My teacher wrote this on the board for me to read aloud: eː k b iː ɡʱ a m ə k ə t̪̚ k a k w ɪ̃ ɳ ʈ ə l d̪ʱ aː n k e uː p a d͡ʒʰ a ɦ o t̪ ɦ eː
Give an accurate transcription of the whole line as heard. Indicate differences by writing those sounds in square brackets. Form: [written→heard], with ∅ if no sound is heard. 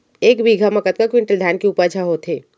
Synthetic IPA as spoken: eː k b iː ɡʱ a m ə k ə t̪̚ k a k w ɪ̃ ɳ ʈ ə l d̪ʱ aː n k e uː p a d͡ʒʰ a ɦ o t̪ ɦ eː

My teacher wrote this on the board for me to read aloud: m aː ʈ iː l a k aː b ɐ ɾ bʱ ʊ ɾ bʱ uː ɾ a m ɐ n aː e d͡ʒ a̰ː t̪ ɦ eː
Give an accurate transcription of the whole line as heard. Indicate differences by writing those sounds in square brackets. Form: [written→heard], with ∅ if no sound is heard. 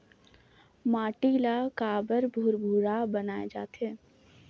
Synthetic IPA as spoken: m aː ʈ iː l a k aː b [ɐ→ə] ɾ bʱ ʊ ɾ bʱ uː ɾ a [m→b] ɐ n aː e d͡ʒ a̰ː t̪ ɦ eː

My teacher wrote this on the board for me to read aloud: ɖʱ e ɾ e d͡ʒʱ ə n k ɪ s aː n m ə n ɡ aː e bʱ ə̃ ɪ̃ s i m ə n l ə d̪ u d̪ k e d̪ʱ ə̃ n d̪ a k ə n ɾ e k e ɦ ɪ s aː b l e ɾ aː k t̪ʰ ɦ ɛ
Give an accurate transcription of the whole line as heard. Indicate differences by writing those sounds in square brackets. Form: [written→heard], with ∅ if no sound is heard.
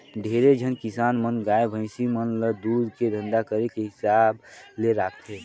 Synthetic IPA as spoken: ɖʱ e ɾ e d͡ʒʱ ə n k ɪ s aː n m ə n ɡ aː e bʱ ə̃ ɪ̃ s i m ə n l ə d̪ u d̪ k e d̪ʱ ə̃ n d̪ a k ə [n→∅] ɾ e k e ɦ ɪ s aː b l e ɾ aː k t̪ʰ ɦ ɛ

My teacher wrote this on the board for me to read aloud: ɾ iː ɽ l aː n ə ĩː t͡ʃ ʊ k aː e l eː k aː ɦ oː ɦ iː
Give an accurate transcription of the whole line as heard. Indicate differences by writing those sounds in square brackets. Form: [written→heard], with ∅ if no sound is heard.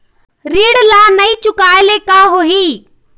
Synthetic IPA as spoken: ɾ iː ɽ l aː n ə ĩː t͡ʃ ʊ k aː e l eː k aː ɦ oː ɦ iː

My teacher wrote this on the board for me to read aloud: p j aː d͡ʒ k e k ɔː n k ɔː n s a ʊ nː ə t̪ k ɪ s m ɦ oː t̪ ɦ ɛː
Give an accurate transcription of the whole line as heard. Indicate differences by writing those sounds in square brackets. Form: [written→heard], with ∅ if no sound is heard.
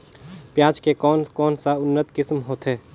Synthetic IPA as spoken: p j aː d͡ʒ k e k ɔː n k ɔː n s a ʊ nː ə t̪ k ɪ s m ɦ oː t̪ ɦ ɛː

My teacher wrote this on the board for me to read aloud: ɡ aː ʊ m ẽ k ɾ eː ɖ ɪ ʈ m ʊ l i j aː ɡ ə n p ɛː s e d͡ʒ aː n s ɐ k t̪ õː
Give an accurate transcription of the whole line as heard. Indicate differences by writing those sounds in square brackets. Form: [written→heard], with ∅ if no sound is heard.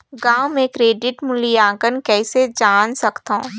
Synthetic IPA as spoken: ɡ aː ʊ m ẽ k ɾ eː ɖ ɪ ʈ m ʊ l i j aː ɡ ə n [p→k] ɛː s e d͡ʒ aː n s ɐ k t̪ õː

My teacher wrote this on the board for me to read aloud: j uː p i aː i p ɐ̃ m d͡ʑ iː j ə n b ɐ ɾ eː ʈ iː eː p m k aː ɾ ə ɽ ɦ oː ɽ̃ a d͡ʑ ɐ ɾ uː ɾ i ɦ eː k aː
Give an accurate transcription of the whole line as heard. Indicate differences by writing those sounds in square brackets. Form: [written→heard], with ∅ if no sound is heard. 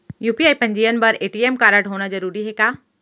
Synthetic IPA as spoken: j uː p i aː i p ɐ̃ [m→ɲ] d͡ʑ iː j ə n b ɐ ɾ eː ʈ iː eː [p→∅] m k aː ɾ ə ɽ ɦ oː ɽ̃ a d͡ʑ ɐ ɾ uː ɾ i ɦ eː k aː

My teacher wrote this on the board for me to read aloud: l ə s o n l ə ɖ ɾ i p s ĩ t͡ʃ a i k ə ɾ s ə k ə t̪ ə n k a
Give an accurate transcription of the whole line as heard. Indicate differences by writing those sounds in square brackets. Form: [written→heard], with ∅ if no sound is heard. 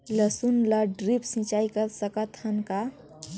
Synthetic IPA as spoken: l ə s [o→u] n l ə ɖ ɾ i p s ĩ t͡ʃ a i k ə ɾ s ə k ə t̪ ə n k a

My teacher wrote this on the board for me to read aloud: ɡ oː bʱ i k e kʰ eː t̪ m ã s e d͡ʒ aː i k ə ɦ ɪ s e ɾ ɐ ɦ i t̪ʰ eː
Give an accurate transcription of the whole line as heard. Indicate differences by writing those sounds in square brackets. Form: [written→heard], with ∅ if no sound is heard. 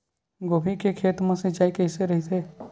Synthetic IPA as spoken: ɡ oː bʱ i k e kʰ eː t̪ m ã s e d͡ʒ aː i k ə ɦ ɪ s e ɾ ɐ ɦ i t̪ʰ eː

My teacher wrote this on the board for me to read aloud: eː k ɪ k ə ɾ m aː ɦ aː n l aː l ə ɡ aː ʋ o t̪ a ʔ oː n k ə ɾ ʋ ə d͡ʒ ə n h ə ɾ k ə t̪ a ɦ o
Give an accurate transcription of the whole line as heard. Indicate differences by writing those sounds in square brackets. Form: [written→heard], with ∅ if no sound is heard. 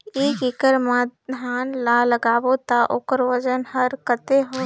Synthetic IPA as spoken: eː k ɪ k ə ɾ m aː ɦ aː n l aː l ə ɡ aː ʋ o t̪ a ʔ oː [n→∅] k ə ɾ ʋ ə d͡ʒ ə n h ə ɾ k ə t̪ [a→e] ɦ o

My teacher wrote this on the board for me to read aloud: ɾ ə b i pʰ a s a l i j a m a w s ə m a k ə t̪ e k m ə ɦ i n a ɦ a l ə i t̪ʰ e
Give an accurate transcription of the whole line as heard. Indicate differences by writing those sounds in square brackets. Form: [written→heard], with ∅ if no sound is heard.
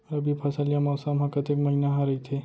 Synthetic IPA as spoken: ɾ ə b i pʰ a s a l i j a m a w s [ə→a] m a k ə t̪ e k m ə ɦ i n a ɦ a [l→ɾ] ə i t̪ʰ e

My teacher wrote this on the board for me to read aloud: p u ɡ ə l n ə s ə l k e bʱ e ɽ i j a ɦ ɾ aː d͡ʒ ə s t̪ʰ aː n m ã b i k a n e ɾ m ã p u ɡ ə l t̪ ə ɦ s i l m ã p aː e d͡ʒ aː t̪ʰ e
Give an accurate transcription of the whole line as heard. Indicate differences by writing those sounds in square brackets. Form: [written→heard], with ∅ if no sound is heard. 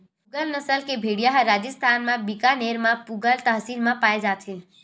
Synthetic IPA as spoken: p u ɡ ə l n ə s ə l k e bʱ e ɽ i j a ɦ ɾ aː d͡ʒ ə s t̪ʰ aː n m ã b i k a n e ɾ m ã p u ɡ ə l t̪ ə ɦ s i l m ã p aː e d͡ʒ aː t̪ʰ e

